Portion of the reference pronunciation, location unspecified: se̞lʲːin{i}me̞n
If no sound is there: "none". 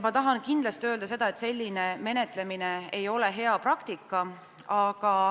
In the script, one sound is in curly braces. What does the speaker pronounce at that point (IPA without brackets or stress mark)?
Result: e